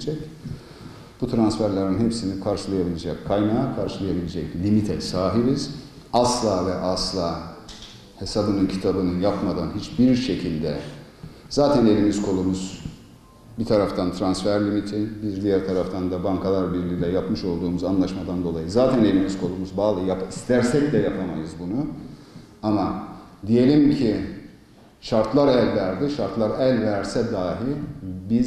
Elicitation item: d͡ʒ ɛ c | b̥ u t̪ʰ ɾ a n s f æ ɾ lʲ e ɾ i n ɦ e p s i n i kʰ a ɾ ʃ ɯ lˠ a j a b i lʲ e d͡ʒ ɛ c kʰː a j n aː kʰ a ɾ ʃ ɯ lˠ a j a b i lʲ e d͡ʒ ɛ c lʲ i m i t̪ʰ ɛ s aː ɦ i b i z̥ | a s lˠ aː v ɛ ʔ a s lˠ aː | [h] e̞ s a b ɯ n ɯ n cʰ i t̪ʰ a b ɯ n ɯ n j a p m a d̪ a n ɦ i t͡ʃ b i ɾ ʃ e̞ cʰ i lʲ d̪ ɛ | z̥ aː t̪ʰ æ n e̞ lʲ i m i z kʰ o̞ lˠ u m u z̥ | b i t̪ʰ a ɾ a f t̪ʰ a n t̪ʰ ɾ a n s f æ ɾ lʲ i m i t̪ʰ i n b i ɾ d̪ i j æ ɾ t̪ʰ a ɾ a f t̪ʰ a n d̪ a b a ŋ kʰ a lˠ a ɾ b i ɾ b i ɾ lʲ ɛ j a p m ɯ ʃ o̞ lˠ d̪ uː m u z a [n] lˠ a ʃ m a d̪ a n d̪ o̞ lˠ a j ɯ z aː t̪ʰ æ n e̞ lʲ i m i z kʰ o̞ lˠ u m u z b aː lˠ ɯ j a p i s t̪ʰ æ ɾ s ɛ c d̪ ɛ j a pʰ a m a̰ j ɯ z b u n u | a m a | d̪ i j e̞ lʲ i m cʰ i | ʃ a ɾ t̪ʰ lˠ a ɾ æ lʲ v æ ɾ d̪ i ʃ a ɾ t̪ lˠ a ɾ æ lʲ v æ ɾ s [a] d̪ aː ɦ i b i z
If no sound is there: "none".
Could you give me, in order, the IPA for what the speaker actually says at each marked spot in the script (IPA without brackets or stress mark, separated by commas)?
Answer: h, n, ɛ